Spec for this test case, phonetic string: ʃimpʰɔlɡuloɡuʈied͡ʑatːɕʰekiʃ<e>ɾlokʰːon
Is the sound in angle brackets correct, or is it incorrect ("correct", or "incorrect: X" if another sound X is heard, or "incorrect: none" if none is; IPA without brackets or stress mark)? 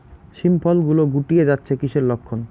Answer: correct